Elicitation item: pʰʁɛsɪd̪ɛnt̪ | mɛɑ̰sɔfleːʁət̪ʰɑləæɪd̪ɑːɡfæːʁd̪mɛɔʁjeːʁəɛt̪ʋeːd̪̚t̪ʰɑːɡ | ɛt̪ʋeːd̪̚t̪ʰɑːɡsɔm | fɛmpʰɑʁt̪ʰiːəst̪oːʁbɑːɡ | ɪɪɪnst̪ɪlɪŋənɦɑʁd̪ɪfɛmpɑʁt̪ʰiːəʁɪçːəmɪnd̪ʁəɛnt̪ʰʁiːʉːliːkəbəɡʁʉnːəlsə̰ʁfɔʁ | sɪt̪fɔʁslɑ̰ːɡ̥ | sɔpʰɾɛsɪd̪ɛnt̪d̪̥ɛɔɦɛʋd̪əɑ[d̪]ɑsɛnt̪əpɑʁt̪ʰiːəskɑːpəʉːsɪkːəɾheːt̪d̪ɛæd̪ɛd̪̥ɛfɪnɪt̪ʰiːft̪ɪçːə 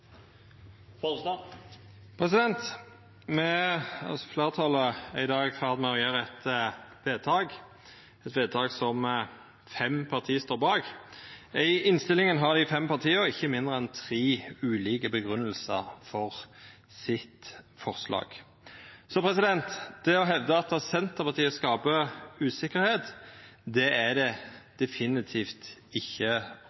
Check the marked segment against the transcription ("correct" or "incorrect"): incorrect